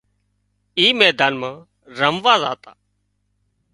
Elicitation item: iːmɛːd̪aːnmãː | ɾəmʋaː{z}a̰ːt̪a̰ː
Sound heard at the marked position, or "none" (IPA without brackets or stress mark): z